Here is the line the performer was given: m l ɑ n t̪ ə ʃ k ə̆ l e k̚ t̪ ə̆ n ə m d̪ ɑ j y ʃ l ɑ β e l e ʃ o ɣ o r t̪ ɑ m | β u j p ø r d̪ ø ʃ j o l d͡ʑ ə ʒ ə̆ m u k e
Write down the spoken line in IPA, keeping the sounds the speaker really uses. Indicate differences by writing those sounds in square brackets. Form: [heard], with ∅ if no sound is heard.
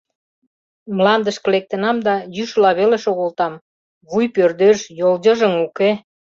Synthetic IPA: m l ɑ n [d̪] ə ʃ k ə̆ l e k̚ t̪ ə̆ n [ɑ] m d̪ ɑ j y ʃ l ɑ β e l e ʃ o ɣ o [l] t̪ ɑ m | β u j p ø r d̪ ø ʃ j o l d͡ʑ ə ʒ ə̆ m u k e